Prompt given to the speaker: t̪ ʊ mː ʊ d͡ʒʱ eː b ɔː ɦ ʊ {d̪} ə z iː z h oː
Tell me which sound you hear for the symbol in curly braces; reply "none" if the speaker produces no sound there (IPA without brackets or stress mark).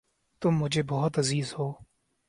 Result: t̪